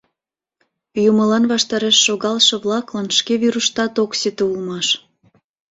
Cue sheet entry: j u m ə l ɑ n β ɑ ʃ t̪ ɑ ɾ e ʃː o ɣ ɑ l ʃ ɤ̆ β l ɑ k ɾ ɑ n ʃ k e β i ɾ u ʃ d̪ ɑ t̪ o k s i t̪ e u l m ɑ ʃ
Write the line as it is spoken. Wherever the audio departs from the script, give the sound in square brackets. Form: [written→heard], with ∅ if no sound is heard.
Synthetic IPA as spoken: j u m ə l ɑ n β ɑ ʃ t̪ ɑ ɾ e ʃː o ɣ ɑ l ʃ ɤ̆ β l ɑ k [ɾ→l] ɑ n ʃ k e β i ɾ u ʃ [d̪→t̪] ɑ t̪ o k s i t̪ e u l m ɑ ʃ